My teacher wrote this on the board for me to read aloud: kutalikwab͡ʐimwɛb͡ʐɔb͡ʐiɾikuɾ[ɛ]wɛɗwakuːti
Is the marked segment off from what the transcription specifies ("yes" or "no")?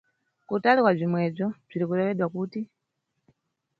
no